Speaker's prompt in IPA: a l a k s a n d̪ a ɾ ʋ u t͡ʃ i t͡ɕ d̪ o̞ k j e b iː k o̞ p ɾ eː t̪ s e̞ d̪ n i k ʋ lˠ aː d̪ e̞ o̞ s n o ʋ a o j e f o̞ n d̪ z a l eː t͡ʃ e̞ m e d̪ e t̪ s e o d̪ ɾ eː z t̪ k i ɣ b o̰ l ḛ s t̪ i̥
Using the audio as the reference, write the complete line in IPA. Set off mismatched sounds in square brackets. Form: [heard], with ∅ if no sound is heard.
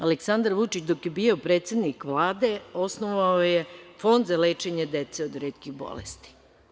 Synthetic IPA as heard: a l [e] k s a n d̪ a ɾ ʋ u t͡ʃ i t͡ɕ d̪ o̞ k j e b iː [∅] o̞ p ɾ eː t̪ s e̞ d̪ n i k ʋ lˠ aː d̪ e̞ o̞ s n o ʋ a o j e f o̞ n d̪ z a l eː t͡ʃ e̞ [ɲ] e d̪ e t̪ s e o d̪ ɾ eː [∅] t̪ k i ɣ b o̰ l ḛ s t̪ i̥

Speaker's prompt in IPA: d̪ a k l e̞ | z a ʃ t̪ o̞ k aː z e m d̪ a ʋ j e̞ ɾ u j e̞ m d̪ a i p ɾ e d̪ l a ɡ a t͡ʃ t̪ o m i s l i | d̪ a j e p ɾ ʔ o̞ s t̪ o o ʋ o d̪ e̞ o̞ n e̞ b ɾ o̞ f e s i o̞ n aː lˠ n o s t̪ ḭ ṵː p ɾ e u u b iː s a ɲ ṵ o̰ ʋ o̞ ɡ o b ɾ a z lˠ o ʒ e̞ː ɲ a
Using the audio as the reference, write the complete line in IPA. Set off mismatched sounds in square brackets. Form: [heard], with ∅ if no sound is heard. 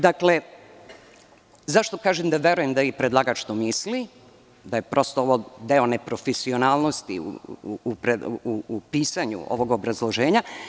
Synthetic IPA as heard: d̪ a k l e̞ | z a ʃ t̪ o̞ k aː [ʒ] e m d̪ a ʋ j e̞ ɾ u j e̞ m d̪ a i p ɾ e d̪ l a ɡ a t͡ʃ t̪ o m i s l i | d̪ a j e p ɾ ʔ o̞ s t̪ o o ʋ o d̪ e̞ o̞ n e̞ [p] ɾ o̞ f e s i o̞ n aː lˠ n o s t̪ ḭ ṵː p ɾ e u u [p] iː s a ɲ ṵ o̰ ʋ o̞ ɡ o b ɾ a z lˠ o ʒ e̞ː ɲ a

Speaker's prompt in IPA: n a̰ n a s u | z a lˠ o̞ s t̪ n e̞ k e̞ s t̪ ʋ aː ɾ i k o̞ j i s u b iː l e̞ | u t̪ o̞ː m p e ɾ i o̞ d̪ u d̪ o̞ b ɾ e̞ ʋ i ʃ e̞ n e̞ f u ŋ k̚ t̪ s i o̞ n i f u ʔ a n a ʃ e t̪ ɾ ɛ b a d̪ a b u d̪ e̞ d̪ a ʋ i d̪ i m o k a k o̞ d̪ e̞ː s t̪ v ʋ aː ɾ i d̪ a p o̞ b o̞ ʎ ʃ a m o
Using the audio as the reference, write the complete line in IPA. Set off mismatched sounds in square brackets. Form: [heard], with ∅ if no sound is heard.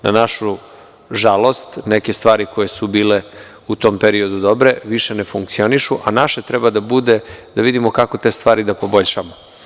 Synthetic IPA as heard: n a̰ n a [ʃ] u | [ʒ] a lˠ o̞ s t̪ n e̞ k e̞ s t̪ ʋ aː ɾ i k o̞ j [e] s u b iː l e̞ | u t̪ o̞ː m p e ɾ i o̞ d̪ u d̪ o̞ b ɾ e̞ ʋ i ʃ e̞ n e̞ f u ŋ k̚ t̪ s i o̞ n i [ʃ] u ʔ a n a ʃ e t̪ ɾ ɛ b a d̪ a b u d̪ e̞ d̪ a ʋ i d̪ i m o k a k o̞ [t̪] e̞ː s t̪ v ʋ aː ɾ i d̪ a p o̞ b o̞ ʎ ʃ a m o

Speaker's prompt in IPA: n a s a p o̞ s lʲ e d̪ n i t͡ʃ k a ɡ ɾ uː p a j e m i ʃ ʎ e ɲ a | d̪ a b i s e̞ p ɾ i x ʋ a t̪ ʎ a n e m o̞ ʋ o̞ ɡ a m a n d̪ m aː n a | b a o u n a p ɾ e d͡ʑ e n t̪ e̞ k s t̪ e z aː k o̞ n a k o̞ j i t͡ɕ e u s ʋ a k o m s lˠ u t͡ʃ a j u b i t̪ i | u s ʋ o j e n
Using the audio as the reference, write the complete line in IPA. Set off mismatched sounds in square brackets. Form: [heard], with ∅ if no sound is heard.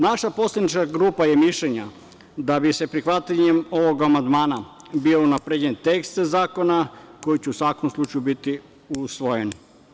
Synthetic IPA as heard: n a [ʃ] a p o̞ s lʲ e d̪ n i t͡ʃ k a ɡ ɾ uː p a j e m i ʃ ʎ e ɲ a | d̪ a b i s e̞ p ɾ i x ʋ a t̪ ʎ a [ɲ] e m o̞ ʋ o̞ ɡ a m a n d̪ m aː n a | b [i] o u n a p ɾ e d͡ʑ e n t̪ e̞ k s t̪ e z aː k o̞ n a k o̞ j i t͡ɕ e u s ʋ a k o m s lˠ u t͡ʃ a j u b i t̪ i | u s ʋ o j e n

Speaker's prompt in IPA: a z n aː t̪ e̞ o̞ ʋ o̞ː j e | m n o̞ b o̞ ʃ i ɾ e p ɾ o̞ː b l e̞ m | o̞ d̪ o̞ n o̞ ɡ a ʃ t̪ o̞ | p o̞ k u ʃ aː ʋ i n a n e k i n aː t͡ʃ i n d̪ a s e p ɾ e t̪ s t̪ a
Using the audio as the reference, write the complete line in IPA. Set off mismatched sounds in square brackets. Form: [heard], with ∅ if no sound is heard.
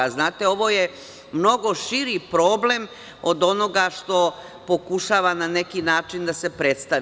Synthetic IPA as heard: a z n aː t̪ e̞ o̞ ʋ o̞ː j e | m n o̞ [ɡ] o̞ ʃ i ɾ [i] p ɾ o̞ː b l e̞ m | o̞ d̪ o̞ n o̞ ɡ a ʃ t̪ o̞ | p o̞ k u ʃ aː ʋ [a] n a n e k i n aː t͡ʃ i n d̪ a s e p ɾ e t̪ s t̪ a

